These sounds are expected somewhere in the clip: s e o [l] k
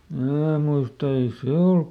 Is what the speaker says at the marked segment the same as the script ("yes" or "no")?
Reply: yes